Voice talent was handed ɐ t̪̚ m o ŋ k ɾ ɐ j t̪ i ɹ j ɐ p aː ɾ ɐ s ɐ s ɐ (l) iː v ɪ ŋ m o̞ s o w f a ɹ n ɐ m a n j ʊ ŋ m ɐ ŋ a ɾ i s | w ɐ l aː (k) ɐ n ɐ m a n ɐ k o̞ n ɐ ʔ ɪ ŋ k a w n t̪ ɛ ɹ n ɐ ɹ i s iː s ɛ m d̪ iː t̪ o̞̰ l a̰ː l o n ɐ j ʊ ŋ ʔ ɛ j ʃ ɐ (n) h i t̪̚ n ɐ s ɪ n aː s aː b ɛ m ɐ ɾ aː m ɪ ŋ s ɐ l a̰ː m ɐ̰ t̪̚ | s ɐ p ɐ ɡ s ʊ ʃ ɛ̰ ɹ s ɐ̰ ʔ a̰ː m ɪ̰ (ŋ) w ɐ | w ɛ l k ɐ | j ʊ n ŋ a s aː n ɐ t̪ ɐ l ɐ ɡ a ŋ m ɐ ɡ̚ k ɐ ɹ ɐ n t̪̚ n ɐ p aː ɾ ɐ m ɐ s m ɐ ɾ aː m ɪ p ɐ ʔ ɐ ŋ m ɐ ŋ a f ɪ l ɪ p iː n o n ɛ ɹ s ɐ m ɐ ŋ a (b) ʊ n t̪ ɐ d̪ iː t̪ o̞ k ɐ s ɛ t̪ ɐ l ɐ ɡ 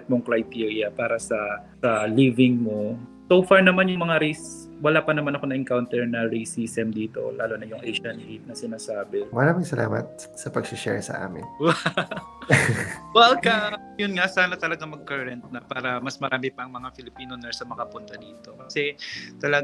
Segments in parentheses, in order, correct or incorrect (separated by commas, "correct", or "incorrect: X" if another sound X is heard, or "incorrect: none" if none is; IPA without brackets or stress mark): correct, incorrect: p, correct, incorrect: n, incorrect: p